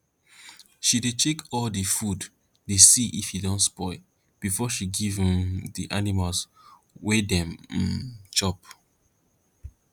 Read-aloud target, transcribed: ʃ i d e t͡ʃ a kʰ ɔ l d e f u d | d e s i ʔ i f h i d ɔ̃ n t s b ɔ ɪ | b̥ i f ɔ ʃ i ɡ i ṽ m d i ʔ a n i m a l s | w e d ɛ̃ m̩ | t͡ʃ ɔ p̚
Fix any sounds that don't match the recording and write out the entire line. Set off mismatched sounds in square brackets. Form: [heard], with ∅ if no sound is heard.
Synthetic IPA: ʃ i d e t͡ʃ [e] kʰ ɔ l d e f u d | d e s i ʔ i f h i d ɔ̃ n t s [p] ɔ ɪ | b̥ i f ɔ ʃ i ɡ i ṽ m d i ʔ a n i m a l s | w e d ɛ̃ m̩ | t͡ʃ ɔ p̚